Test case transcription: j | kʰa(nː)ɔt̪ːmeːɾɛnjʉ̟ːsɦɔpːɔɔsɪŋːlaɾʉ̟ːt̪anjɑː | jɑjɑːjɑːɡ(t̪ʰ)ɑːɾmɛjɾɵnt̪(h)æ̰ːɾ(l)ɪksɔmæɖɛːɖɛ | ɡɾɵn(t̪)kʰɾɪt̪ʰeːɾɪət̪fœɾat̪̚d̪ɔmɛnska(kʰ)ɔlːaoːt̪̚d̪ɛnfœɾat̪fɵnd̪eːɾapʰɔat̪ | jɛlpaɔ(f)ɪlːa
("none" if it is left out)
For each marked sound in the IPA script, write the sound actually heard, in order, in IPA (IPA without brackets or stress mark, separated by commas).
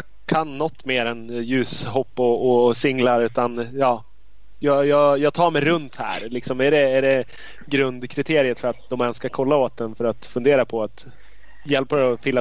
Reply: nː, t̪ʰ, h, l, d̪, kʰ, f